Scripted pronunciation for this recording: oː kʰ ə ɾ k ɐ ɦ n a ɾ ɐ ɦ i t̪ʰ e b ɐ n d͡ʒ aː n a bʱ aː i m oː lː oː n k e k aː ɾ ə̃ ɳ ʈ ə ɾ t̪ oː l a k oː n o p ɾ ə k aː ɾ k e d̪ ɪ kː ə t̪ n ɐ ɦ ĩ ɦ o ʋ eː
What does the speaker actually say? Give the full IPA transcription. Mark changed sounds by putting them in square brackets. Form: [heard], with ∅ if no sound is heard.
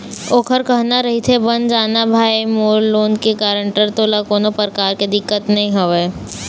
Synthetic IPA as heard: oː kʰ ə ɾ k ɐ ɦ n a ɾ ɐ ɦ i t̪ʰ e b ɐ n d͡ʒ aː n a bʱ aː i m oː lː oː n k e k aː ɾ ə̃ ɳ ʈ ə ɾ t̪ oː l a k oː n o p ɾ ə k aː ɾ k e d̪ ɪ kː ə t̪ n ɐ ɦ ĩ ɦ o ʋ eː

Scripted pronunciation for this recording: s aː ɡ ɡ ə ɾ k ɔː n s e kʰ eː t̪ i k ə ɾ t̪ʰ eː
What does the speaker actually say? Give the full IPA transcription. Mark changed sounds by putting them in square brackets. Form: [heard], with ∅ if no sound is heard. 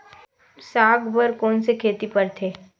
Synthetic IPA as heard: s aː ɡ [b] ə ɾ k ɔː n s e kʰ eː t̪ i [p] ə ɾ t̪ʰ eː

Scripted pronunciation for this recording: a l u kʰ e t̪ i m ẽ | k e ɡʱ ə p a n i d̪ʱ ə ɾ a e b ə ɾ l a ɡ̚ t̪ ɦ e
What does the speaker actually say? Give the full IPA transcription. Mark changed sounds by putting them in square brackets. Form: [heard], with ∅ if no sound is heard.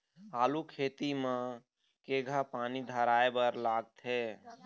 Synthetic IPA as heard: a l u kʰ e t̪ i m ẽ | k e ɡʱ [a] p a n i d̪ʱ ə ɾ a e b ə ɾ l a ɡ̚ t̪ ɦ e

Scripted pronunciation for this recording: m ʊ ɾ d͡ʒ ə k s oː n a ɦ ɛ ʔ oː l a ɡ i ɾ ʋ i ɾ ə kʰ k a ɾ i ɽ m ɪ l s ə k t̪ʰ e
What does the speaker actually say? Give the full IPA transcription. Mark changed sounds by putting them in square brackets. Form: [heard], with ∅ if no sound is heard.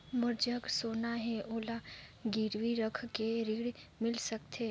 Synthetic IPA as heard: m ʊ ɾ d͡ʒ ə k s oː n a ɦ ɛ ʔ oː l a ɡ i ɾ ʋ i ɾ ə kʰ k [e] ɾ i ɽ m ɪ l s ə k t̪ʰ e

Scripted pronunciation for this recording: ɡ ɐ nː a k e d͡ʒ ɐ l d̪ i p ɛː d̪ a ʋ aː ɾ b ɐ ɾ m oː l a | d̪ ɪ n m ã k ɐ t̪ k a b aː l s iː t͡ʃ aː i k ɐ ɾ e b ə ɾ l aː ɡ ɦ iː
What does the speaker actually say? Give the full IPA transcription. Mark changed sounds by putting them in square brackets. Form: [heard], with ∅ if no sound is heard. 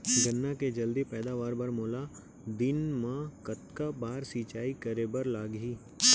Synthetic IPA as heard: ɡ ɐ nː a k e d͡ʒ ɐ l d̪ i p ɛː d̪ a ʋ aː ɾ b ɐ ɾ m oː l a | d̪ ɪ n m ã k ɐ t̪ k a b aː [ɾ] s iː t͡ʃ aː i k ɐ ɾ e b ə ɾ l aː ɡ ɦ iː

